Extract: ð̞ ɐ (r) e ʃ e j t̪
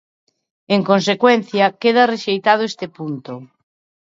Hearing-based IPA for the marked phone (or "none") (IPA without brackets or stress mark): r